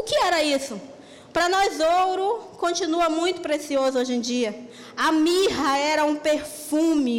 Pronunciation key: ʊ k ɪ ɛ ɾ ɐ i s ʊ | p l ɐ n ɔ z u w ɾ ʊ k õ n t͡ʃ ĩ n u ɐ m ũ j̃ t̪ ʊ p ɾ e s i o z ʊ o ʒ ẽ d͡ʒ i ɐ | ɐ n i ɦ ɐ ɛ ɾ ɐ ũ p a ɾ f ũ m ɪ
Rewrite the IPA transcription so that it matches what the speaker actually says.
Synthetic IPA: ʊ k ɪ ɛ ɾ ɐ i s ʊ | p ɾ ɐ n ɔ z o w ɾ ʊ k õ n t͡ʃ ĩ n u ɐ m ũ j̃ t̪ ʊ p ɾ e s i o z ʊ o ʒ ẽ d͡ʒ i ɐ | ɐ m i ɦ ɐ ɛ ɾ ɐ ũ p e ɾ f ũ m ɪ